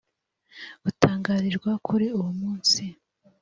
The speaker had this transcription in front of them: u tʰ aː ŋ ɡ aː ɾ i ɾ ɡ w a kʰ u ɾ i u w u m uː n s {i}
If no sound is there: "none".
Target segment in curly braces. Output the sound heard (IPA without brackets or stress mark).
i